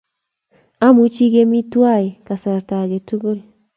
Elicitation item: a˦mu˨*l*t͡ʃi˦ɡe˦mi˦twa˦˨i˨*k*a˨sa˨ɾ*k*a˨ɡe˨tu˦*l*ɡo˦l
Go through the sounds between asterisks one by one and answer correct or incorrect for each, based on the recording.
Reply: incorrect: none, correct, incorrect: t, incorrect: none

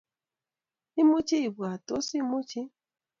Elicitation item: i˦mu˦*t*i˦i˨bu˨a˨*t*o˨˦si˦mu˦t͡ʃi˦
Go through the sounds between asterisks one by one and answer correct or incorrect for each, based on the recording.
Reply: incorrect: t͡ʃ, correct

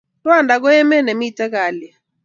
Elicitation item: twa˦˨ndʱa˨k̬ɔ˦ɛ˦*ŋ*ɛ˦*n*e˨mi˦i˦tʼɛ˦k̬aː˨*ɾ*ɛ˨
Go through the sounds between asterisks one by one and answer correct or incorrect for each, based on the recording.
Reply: incorrect: m, correct, incorrect: l

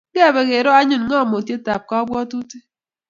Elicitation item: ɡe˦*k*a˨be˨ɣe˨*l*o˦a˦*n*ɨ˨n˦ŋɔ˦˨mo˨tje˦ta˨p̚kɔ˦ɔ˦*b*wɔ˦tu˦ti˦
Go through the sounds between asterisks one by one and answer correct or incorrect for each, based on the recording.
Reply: incorrect: none, incorrect: ɾ, incorrect: ɲ, correct

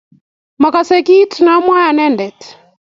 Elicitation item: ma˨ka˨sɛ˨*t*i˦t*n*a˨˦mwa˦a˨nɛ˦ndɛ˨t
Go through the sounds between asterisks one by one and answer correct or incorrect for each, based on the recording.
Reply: incorrect: k, correct

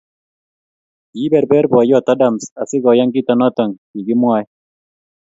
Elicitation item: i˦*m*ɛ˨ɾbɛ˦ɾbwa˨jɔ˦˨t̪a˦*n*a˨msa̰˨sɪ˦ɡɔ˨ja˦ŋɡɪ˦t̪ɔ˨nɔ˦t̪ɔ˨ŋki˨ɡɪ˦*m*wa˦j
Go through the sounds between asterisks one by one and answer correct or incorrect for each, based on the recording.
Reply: incorrect: b, incorrect: d, correct

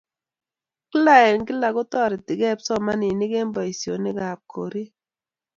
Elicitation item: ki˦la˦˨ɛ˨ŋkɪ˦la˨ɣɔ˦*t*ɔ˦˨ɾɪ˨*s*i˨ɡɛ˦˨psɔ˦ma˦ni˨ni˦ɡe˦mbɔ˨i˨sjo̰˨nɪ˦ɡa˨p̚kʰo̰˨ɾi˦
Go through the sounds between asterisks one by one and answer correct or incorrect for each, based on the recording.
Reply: correct, incorrect: t

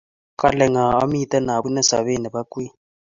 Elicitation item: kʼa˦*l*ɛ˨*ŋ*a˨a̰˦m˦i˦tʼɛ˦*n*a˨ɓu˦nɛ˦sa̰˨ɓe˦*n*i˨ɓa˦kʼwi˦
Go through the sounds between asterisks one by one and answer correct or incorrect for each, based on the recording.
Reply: correct, correct, correct, correct

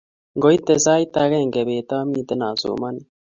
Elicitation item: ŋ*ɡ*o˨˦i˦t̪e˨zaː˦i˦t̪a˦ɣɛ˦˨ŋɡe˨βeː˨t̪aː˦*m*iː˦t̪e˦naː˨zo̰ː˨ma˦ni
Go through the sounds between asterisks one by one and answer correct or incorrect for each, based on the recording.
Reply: correct, correct

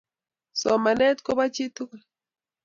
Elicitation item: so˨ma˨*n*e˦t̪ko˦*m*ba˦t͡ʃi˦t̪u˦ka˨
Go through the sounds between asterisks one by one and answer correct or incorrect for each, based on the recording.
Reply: correct, incorrect: none

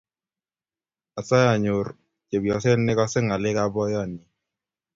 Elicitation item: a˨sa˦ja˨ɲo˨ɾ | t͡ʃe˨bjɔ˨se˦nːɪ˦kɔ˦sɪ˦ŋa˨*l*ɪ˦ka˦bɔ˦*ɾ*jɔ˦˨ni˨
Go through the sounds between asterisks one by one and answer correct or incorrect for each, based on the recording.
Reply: correct, incorrect: none

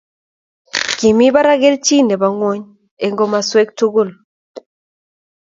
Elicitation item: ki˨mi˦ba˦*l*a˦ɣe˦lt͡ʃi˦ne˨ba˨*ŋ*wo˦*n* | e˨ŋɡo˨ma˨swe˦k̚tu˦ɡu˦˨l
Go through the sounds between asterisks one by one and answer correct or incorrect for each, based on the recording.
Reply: incorrect: ɾ, correct, incorrect: ɲ

